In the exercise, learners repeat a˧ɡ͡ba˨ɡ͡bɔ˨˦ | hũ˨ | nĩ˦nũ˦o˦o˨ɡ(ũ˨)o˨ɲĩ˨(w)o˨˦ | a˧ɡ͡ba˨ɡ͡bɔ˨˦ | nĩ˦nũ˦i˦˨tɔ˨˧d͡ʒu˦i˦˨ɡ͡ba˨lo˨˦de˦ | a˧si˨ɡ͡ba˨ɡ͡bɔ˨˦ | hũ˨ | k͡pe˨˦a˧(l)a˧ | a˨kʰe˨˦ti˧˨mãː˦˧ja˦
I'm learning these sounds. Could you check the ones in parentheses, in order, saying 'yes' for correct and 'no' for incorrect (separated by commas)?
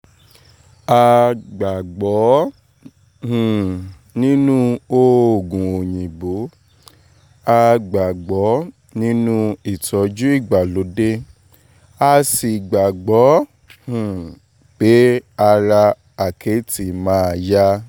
yes, no, no